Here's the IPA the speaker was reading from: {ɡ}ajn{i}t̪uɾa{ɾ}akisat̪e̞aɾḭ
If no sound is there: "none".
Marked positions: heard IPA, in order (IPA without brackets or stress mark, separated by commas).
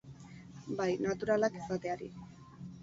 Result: b, a, l